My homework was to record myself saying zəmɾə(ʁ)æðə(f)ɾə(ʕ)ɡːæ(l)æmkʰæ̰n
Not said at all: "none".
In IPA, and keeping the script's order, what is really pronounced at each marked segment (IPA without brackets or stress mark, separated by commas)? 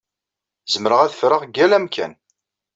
ʁ, f, ʁ, l